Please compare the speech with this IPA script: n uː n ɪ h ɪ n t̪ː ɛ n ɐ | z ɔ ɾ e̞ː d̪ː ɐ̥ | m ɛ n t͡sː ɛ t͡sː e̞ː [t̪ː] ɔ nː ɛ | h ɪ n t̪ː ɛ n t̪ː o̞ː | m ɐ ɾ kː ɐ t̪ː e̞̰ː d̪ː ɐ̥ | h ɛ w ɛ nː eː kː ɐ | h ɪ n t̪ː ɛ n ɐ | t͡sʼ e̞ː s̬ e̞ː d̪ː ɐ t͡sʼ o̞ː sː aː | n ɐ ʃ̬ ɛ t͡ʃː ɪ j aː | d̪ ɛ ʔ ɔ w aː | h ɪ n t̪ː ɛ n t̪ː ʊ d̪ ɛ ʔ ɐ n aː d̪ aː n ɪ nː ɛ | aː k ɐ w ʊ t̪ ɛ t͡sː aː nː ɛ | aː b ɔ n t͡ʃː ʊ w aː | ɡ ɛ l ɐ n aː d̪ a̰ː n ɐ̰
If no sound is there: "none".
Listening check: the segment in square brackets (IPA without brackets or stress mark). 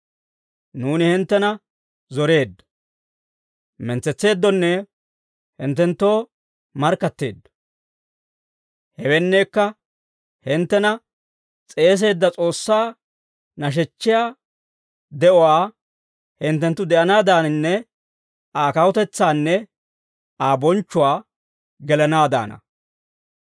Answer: d̪ː